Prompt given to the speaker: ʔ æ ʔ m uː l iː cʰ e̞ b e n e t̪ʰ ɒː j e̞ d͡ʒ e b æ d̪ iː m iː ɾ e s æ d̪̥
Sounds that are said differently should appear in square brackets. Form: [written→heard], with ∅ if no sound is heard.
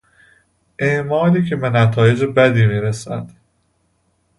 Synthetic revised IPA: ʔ [æ→e] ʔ m [uː→ɒː] l iː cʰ e̞ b e n [e→æ] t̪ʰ ɒː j e̞ d͡ʒ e b æ d̪ iː m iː ɾ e s æ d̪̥